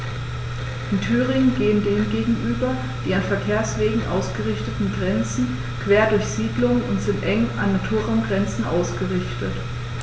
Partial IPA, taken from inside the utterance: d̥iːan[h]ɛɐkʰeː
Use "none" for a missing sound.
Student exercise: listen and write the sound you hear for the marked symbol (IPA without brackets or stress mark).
f